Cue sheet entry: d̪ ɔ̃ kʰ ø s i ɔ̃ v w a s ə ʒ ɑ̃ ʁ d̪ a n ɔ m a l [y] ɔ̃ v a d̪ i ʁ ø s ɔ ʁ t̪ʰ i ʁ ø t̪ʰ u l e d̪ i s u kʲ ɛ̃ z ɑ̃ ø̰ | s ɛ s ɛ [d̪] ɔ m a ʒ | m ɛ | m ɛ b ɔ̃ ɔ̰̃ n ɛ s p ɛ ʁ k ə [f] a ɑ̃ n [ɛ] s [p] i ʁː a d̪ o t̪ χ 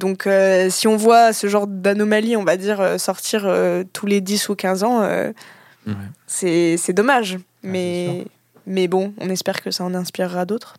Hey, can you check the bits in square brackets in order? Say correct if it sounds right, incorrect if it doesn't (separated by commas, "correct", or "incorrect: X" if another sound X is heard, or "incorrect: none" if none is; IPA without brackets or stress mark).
incorrect: i, correct, incorrect: s, incorrect: ɛ̃, correct